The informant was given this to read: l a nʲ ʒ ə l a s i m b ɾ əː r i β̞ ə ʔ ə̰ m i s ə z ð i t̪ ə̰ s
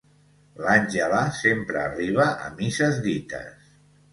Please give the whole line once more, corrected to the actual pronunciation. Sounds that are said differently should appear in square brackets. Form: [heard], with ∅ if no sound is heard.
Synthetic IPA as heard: l a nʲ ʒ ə l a s [e] m [p] ɾ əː r i β̞ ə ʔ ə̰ m i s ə z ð i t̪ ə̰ s

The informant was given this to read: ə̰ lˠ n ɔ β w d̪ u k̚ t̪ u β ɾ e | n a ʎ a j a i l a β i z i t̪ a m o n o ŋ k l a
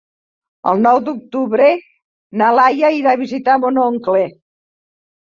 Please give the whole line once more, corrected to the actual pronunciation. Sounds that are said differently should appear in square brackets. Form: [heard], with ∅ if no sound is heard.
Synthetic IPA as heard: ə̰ lˠ n ɔ [∅] w d̪ u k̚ t̪ u β ɾ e | n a [l] a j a i [ɾ] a β i z i t̪ a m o n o ŋ k l [e]

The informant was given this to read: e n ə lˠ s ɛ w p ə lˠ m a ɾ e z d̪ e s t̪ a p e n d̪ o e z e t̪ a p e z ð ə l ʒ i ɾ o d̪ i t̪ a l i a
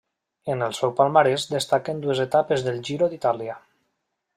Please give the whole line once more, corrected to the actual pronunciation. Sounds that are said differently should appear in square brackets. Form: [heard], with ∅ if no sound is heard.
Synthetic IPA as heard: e n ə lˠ s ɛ w p [a] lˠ m a ɾ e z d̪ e s t̪ a [k] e n d̪ [u] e z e t̪ a p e z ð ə l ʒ i ɾ o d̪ i t̪ a l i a

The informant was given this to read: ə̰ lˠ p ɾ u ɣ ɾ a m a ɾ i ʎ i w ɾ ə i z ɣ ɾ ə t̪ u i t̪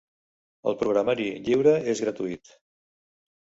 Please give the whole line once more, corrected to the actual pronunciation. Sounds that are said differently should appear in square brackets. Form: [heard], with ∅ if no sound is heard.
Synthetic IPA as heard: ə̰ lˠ p ɾ u ɣ ɾ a m a ɾ i ʎ i w ɾ ə [e] z ɣ ɾ ə t̪ u i t̪

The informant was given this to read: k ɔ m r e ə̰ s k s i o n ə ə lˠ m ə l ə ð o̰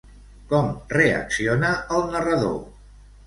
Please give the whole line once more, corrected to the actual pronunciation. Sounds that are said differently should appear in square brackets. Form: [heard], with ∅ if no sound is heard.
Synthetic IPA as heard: k ɔ m r e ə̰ [∅] k s i o n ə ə lˠ [n] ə [r] ə ð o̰

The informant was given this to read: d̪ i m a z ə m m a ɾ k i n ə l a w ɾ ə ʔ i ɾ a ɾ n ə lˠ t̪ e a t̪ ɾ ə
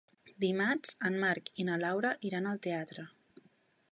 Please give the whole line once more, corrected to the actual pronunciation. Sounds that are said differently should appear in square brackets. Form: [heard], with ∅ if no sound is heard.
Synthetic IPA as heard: d̪ i m a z ə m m a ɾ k i n ə l a w ɾ ə ʔ i ɾ a [∅] n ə lˠ t̪ e a t̪ ɾ ə

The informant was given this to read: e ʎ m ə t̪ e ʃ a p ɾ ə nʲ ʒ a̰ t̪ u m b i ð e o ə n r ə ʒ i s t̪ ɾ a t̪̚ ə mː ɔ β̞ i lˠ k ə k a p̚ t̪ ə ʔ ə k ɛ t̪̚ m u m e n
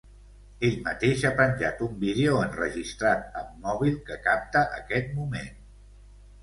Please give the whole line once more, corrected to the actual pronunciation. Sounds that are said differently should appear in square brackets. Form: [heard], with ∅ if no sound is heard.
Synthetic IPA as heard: e ʎ m ə t̪ e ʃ a p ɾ ə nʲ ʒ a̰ t̪ u m b i ð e o ə n r ə ʒ i s t̪ ɾ a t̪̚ ə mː ɔ β̞ i lˠ k ə k a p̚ t̪ ə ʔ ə k ɛ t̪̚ m u m e n

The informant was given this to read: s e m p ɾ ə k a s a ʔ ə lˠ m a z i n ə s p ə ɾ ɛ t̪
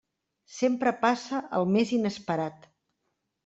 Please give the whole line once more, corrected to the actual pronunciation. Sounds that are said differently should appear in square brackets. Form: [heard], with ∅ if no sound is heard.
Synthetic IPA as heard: s e m p ɾ ə [p] a s [ə] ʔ ə lˠ m [e] z i n ə s p ə ɾ [a] t̪

